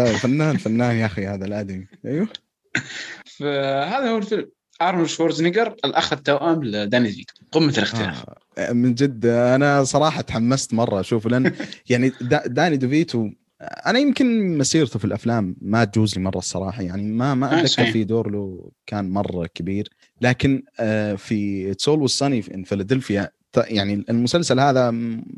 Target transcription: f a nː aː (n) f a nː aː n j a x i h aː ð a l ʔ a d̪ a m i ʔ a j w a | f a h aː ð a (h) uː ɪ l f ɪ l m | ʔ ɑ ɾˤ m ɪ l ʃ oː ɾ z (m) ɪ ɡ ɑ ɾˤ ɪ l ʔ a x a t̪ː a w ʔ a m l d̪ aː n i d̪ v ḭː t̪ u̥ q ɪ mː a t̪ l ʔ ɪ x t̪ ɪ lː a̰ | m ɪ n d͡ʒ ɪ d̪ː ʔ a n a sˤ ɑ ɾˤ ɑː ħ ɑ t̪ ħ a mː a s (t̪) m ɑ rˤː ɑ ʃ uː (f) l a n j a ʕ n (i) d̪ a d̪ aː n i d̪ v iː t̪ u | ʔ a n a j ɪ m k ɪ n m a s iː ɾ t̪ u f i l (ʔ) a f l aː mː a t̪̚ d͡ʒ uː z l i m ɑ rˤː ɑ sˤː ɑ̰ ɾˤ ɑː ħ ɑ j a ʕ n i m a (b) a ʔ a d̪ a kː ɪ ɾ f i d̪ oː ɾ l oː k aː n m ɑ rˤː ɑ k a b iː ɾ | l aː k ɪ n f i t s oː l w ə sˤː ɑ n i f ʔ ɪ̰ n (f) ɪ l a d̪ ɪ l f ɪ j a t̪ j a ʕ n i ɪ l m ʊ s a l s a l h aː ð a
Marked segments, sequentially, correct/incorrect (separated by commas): correct, correct, incorrect, correct, correct, correct, correct, incorrect, correct